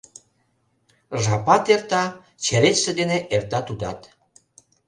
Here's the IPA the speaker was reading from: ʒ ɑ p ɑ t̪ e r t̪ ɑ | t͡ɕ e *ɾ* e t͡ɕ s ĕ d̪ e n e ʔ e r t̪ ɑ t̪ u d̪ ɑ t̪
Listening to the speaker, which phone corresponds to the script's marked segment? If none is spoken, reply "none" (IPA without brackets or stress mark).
ɾ